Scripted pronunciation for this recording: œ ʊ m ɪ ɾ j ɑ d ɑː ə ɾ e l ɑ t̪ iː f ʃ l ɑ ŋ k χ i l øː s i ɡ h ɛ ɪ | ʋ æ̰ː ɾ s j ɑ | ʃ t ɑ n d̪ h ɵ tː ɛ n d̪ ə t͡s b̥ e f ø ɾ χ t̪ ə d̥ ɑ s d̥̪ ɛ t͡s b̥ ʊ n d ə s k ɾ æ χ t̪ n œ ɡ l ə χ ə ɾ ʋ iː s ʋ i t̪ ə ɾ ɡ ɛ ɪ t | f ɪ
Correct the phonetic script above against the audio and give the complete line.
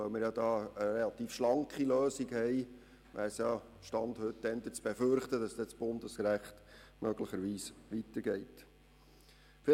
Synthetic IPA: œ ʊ m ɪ ɾ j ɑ d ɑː ə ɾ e l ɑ t̪ iː f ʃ l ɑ ŋ k χ i l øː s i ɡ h ɛ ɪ | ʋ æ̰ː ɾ s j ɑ | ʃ t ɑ n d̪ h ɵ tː ɛ n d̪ ə t͡s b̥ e f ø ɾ χ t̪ ə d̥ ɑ s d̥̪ ɛ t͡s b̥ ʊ n d ə s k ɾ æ χ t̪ m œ ɡ l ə χ ə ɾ ʋ iː s ʋ i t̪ ə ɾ ɡ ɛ ɪ t | f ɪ